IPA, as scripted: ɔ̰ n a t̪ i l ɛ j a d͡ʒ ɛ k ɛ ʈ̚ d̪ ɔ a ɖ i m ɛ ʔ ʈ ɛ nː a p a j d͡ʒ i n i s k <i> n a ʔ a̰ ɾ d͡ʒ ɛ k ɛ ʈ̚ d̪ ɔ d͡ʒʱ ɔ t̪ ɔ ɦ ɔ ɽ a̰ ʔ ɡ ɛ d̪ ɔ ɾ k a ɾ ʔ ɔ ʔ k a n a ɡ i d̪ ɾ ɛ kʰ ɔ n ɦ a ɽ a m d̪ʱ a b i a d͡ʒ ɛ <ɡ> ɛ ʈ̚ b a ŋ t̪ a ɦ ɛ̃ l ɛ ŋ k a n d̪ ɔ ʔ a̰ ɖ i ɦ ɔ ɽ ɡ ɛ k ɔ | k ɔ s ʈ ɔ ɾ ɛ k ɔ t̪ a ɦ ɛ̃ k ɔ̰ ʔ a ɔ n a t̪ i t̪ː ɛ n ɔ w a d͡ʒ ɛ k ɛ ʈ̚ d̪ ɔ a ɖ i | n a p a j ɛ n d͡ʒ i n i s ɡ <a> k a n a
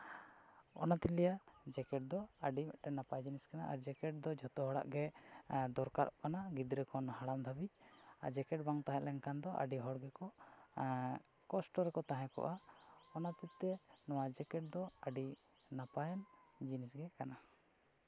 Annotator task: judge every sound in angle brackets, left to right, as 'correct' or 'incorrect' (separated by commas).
incorrect, incorrect, incorrect